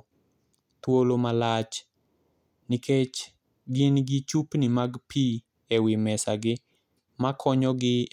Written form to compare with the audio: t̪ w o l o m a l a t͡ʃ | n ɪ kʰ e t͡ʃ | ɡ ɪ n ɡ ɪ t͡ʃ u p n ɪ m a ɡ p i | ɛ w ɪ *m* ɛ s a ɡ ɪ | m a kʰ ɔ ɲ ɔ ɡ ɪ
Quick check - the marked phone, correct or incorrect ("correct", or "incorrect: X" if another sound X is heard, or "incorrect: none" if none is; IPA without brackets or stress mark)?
correct